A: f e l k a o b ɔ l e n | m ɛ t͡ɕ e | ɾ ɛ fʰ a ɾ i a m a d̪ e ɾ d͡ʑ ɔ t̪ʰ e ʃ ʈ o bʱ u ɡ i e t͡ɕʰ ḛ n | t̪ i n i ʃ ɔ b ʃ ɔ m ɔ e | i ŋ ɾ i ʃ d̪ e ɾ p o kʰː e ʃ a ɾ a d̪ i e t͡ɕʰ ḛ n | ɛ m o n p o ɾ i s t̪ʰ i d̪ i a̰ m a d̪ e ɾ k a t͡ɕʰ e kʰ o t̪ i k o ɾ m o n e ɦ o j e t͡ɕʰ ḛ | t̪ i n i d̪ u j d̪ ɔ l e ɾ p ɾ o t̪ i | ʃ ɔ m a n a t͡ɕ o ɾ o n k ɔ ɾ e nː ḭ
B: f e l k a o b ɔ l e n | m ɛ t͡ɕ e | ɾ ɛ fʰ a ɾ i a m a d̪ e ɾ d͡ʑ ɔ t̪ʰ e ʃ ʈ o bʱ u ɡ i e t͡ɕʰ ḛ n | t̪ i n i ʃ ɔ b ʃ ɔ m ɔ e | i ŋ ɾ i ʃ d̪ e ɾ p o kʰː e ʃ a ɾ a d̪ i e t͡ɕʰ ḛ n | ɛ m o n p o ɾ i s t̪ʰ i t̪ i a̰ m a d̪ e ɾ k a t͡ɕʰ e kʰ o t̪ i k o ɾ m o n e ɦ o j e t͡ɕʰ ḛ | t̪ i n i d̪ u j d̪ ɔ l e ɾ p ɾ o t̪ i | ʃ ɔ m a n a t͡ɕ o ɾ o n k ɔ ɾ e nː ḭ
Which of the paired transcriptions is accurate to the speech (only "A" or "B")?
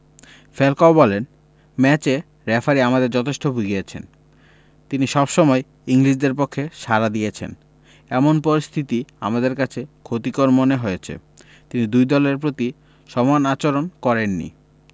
B